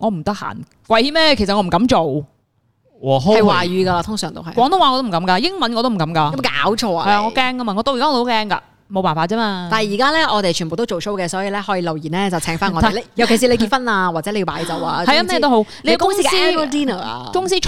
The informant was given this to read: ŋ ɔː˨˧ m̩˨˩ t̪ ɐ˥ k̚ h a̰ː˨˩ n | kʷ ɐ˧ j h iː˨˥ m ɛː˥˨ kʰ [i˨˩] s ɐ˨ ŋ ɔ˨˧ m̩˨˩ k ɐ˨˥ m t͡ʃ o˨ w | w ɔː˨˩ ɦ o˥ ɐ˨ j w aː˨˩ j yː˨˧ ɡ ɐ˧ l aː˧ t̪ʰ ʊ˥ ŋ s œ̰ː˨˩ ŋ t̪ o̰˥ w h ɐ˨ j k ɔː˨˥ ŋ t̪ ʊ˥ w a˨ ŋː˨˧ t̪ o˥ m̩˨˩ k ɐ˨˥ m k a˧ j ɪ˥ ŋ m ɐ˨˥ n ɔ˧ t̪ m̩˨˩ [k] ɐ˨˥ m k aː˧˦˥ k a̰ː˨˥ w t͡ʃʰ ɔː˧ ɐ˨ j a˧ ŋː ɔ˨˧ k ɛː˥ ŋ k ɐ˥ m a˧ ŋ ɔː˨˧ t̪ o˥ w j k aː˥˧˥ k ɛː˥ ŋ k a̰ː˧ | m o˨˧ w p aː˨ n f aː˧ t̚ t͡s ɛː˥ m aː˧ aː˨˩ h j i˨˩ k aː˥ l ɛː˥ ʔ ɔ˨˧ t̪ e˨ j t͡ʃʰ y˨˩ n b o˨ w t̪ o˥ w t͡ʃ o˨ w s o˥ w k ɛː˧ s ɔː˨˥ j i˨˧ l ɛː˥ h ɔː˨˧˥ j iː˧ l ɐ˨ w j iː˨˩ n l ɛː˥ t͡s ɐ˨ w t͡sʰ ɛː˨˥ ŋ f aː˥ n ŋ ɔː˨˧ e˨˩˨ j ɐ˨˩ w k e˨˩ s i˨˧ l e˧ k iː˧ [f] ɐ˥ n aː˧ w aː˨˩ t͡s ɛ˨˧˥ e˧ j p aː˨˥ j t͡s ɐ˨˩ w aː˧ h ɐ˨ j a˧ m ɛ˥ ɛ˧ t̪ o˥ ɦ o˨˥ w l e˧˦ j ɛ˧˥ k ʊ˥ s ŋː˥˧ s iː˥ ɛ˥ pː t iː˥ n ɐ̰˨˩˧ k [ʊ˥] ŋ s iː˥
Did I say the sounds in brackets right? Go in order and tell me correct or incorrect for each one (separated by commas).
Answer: incorrect, correct, correct, correct